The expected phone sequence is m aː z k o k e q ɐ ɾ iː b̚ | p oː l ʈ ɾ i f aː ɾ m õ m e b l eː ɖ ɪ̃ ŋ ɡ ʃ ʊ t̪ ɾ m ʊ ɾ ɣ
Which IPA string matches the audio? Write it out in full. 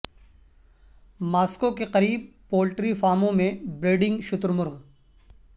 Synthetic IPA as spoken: m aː s k o k e q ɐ ɾ iː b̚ | p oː l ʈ ɾ i f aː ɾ m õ m ẽ b ɾ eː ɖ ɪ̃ ŋ ɡ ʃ ʊ t̪ ɾ m ʊ ɾ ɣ